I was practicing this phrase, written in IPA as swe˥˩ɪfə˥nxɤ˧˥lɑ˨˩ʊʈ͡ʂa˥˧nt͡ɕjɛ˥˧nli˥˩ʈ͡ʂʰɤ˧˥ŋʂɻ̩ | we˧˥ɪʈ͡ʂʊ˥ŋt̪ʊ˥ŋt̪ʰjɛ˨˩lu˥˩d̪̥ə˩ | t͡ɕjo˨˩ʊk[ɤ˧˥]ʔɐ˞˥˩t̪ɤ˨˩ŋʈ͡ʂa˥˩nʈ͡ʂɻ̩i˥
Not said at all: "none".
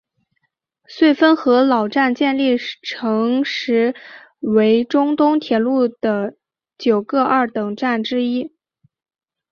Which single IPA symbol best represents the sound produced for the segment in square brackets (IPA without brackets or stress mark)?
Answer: ɤ˥˧